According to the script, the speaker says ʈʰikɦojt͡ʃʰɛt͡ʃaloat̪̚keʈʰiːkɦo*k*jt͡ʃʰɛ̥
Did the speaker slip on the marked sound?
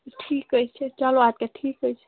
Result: yes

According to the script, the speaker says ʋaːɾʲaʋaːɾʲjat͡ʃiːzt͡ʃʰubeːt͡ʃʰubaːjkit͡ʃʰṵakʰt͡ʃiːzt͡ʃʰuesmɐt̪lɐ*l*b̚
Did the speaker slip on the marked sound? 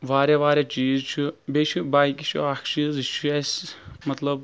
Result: yes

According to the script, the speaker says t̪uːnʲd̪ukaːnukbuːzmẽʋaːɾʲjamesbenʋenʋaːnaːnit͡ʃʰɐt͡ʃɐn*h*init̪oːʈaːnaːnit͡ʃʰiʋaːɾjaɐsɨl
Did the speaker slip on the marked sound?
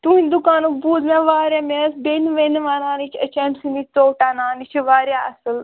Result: yes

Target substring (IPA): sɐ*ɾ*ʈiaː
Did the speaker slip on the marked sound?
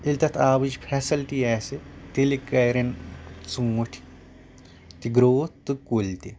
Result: yes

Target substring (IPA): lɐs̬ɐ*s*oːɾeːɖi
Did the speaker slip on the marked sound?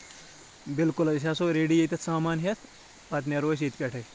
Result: no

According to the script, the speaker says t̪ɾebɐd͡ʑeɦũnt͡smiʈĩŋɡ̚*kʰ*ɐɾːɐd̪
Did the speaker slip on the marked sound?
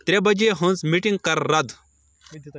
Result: yes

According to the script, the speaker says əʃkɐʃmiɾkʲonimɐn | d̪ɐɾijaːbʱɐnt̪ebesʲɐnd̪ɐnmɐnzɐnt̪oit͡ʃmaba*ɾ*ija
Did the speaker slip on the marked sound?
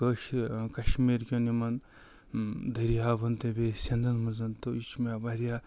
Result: no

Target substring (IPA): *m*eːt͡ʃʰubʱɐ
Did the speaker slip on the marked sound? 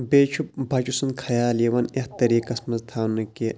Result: yes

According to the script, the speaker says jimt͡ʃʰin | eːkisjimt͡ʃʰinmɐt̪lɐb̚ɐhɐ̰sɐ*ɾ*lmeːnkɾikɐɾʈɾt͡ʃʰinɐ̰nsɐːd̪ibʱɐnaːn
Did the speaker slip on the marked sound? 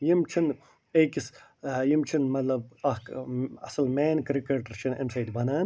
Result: yes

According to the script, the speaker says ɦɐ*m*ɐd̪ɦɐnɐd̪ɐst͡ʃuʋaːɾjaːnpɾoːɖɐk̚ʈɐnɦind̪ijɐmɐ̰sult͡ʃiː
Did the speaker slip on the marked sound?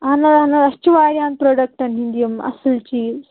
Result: yes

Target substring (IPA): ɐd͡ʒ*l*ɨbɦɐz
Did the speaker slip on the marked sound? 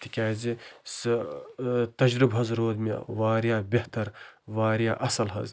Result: yes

